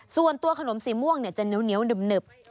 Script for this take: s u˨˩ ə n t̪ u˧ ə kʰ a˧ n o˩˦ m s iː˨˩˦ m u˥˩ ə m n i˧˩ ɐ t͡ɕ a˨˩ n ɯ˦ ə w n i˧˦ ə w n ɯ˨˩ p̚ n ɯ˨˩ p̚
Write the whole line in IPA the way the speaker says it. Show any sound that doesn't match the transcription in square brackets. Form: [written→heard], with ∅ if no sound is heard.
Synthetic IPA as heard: s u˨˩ ə n t̪ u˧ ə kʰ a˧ n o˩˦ m s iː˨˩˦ m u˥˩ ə [m→ŋ] n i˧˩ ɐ t͡ɕ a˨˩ n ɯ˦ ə w n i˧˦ ə w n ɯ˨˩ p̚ n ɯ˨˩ p̚